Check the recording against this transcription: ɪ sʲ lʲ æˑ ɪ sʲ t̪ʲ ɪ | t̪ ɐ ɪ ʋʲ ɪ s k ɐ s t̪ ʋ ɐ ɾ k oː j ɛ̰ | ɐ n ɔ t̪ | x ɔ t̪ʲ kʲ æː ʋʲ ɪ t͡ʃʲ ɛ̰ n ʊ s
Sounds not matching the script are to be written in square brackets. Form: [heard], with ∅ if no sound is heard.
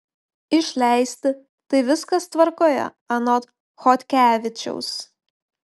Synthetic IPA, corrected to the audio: ɪ [ʃʲ] lʲ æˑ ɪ sʲ t̪ʲ ɪ | t̪ ɐ ɪ ʋʲ ɪ s k ɐ s t̪ ʋ ɐ ɾ k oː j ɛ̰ | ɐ n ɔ t̪ | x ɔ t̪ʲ kʲ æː ʋʲ ɪ t͡ʃʲ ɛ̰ [∅] ʊ s